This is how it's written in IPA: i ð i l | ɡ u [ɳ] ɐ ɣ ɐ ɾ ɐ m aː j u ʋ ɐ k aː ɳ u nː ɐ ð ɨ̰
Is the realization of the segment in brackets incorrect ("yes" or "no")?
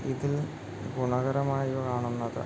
no